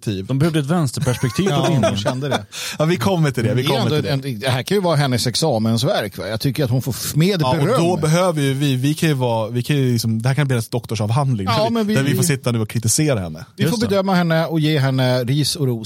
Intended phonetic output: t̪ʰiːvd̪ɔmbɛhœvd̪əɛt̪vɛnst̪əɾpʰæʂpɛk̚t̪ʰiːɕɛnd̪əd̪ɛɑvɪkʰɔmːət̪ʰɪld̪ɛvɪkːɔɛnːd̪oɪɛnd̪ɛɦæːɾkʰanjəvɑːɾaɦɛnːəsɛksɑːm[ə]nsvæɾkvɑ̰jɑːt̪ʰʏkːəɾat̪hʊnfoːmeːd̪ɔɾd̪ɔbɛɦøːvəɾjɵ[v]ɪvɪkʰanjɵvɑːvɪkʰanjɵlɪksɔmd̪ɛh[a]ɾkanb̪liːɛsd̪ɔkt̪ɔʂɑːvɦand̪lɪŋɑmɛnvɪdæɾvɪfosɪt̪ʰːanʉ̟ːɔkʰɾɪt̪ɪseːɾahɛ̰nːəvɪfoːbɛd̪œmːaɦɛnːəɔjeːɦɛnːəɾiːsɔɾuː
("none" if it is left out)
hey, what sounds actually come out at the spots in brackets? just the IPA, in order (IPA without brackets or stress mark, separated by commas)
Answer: ə, v, æ